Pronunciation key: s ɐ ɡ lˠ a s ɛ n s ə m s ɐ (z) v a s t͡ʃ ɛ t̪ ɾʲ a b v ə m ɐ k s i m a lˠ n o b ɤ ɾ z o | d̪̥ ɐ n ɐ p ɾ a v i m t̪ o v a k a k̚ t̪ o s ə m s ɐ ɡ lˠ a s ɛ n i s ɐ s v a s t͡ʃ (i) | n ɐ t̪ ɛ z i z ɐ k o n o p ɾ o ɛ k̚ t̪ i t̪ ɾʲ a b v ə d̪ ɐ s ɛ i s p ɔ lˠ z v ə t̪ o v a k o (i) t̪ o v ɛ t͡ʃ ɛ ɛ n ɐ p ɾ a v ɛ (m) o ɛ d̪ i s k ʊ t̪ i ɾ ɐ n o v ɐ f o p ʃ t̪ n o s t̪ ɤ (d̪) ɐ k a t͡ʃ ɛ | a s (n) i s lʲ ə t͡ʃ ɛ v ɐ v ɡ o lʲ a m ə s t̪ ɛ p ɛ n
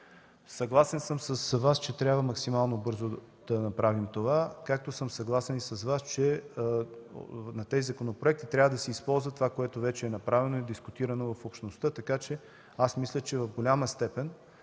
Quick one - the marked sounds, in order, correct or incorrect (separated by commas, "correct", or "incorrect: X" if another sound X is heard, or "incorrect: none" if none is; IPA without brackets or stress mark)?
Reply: incorrect: s, incorrect: ɛ, incorrect: ɛ, incorrect: n, incorrect: t̪, incorrect: m